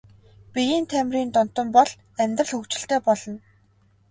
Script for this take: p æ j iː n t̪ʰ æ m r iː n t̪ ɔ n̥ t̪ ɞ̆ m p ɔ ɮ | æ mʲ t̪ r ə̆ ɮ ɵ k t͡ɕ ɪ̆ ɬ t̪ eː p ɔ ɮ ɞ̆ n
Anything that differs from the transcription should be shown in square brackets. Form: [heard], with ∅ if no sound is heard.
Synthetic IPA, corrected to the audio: p [i] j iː n t̪ʰ æ m r iː n t̪ ɔ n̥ t̪ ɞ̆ m p ɔ ɮ | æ mʲ t̪ r ə̆ ɮ ɵ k t͡ɕ ɪ̆ ɬ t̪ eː p ɔ ɮ ɞ̆ n

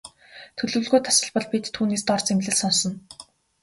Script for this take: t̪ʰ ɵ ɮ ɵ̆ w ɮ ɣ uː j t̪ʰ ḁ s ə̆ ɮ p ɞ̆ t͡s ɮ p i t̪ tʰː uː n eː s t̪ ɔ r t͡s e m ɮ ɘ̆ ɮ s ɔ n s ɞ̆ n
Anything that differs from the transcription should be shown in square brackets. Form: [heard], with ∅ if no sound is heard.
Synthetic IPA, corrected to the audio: t̪ʰ ɵ ɮ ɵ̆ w ɮ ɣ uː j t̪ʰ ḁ s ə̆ ɮ p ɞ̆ [∅] ɮ p i t̪ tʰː uː n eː s t̪ ɔ r t͡s e m ɮ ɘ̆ ɮ s ɔ n s ɞ̆ n

